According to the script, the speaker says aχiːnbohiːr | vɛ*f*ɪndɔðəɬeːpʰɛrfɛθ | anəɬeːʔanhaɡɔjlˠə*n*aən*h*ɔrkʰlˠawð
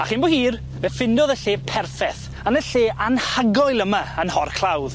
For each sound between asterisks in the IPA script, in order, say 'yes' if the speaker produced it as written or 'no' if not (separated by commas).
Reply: yes, no, yes